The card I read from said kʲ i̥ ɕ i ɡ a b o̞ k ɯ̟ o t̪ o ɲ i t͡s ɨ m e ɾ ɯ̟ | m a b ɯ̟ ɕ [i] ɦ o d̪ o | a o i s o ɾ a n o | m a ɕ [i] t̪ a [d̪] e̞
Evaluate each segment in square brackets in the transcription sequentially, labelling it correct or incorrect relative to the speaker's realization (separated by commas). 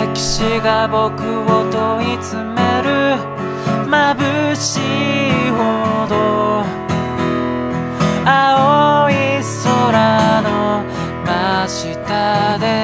correct, correct, correct